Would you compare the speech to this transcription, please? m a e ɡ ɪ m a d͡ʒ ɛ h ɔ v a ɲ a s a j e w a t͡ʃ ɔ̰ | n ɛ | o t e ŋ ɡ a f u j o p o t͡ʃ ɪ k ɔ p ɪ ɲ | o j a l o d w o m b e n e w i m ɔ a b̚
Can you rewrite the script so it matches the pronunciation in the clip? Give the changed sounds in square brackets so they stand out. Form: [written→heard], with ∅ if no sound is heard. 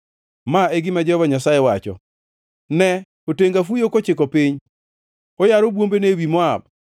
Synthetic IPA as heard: m a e ɡ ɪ m a d͡ʒ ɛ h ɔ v a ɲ a s a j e w a t͡ʃ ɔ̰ | n ɛ | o t e ŋ ɡ a f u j o [p→k] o t͡ʃ ɪ k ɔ p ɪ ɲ | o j a [l→ɾ] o [d→b] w o m b e n e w i m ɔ a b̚